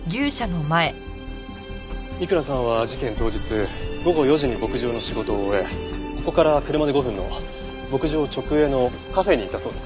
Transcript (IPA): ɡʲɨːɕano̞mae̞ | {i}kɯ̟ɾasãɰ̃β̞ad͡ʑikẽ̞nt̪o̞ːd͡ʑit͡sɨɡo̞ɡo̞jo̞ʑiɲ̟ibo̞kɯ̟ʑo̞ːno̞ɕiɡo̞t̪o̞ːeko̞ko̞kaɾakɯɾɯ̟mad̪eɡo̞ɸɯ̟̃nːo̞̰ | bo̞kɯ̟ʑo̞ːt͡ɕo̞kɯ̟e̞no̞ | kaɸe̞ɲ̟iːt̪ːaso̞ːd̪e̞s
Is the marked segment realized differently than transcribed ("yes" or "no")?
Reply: no